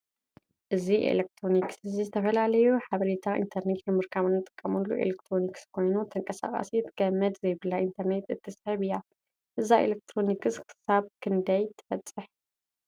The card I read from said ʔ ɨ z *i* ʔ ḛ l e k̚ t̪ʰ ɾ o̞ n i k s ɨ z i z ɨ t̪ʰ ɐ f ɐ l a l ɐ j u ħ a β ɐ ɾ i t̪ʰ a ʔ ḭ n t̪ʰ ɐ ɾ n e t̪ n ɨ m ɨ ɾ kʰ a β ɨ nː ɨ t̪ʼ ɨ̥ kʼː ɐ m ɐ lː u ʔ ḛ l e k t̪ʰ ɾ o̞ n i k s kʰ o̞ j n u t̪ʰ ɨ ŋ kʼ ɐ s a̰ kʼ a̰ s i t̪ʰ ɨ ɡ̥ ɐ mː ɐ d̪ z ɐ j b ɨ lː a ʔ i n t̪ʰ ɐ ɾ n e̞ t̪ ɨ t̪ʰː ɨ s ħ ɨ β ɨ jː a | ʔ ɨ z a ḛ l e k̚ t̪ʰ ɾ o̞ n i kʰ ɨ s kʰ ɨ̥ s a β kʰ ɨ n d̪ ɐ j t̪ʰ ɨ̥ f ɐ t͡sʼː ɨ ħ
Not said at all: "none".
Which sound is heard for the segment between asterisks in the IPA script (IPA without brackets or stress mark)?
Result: i